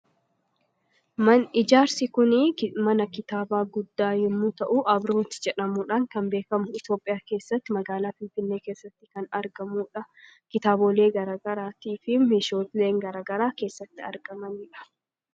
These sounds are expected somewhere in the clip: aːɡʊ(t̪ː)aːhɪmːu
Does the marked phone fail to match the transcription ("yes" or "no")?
yes